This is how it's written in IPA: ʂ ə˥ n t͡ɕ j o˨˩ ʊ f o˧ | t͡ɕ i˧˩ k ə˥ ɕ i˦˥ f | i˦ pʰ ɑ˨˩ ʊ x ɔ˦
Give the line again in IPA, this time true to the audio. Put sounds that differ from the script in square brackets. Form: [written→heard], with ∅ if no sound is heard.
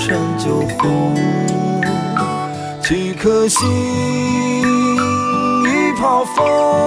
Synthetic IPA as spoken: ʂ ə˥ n t͡ɕ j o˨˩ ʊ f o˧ | [t͡ɕ→t͡ɕʰ] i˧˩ [k→kʰ] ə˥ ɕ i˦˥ [f→∅] | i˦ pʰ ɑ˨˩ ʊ [x→f] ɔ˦